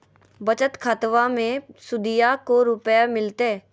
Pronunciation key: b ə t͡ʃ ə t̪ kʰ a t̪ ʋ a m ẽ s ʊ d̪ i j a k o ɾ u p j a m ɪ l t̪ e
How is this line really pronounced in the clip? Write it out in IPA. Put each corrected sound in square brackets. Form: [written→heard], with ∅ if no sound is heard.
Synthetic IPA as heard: b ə t͡ʃ ə t̪ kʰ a t̪ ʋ a m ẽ s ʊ d̪ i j a k o ɾ [u→ʊ] p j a m ɪ l t̪ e